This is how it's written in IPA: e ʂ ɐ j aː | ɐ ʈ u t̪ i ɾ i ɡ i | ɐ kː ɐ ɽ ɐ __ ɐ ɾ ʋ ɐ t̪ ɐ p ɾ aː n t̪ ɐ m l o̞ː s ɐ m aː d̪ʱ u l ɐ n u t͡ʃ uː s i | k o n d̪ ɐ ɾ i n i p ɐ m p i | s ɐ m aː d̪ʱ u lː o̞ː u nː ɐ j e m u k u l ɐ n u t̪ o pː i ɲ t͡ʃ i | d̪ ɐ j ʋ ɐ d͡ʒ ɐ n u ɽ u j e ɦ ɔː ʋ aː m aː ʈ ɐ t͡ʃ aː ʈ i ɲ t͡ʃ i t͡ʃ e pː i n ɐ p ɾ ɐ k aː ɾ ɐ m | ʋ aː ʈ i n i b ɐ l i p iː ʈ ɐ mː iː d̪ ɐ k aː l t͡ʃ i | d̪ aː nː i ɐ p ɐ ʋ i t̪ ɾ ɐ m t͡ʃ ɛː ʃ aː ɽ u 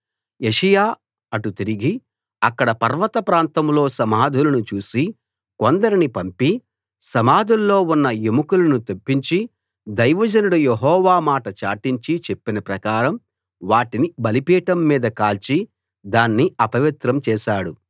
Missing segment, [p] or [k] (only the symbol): p